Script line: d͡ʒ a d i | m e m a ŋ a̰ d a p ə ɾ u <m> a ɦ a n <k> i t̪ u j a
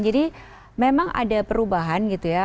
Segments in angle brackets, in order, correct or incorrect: incorrect: b, incorrect: ɡ

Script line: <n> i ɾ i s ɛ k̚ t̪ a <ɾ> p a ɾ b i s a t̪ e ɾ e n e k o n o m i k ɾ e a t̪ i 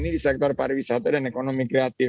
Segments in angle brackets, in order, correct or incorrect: correct, correct

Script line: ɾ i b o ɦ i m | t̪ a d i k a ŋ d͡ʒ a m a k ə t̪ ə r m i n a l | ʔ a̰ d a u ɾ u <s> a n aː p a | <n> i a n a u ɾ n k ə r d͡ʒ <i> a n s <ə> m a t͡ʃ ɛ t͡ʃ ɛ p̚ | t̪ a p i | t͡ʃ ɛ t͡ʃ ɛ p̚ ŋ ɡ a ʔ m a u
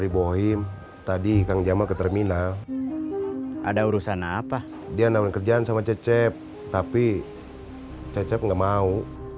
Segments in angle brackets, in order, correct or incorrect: correct, incorrect: d, incorrect: a, incorrect: a

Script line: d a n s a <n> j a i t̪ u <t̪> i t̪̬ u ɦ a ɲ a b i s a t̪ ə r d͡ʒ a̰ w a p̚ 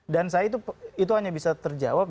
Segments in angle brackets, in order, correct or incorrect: incorrect: none, incorrect: none

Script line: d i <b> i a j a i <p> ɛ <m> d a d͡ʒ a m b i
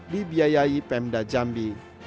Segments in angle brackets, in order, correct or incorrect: correct, correct, correct

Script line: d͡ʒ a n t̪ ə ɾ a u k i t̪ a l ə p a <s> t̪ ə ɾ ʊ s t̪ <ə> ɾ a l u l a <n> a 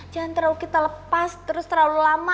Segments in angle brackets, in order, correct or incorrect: correct, correct, incorrect: m

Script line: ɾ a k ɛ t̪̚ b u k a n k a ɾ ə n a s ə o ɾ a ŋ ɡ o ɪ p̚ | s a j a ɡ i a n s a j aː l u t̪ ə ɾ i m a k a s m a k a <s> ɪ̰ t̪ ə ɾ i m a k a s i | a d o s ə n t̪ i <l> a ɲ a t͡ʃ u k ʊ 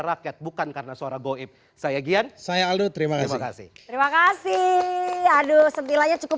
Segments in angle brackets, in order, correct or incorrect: correct, correct

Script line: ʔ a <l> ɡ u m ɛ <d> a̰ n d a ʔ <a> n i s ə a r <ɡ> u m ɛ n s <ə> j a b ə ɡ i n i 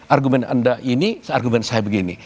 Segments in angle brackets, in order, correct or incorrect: incorrect: r, incorrect: n, incorrect: i, correct, incorrect: a

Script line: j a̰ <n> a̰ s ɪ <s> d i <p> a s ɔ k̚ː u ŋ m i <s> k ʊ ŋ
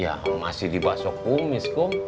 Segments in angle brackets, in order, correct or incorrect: incorrect: m, incorrect: h, incorrect: b, correct

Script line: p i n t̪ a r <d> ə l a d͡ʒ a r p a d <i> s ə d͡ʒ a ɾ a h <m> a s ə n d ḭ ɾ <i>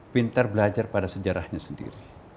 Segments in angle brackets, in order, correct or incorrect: incorrect: b, incorrect: a, incorrect: ɲ, correct

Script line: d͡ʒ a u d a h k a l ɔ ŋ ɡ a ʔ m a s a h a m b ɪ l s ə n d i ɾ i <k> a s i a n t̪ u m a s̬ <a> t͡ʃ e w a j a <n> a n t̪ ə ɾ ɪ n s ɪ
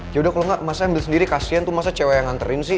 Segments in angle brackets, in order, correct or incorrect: correct, correct, incorrect: ŋ

